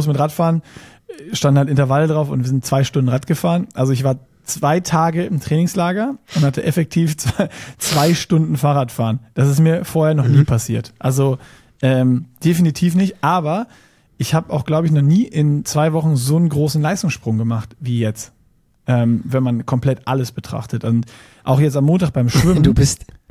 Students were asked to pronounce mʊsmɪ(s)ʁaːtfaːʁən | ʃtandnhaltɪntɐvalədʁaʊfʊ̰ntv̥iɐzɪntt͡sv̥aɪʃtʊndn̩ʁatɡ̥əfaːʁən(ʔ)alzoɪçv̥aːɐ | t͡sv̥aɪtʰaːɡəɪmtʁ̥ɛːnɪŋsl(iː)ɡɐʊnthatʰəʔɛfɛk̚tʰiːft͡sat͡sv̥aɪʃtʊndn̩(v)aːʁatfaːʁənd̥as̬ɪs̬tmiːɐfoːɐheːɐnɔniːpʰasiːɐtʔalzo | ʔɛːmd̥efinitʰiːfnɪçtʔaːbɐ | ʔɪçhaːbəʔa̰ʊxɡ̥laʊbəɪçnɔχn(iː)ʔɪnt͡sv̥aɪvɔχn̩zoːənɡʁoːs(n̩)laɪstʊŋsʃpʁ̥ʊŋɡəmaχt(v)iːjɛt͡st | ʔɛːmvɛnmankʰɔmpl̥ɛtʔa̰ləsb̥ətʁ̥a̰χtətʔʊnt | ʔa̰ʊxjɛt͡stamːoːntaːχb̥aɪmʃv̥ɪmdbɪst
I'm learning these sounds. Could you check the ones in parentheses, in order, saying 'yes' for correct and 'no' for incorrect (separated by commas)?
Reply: no, yes, no, no, yes, yes, yes